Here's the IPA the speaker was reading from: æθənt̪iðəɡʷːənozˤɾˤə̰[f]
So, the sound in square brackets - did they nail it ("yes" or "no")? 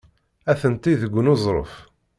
yes